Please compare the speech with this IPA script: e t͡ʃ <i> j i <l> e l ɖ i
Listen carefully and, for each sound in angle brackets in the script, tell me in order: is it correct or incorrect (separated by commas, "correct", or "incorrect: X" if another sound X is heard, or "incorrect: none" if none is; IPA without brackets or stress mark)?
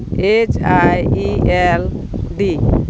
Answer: incorrect: a, incorrect: none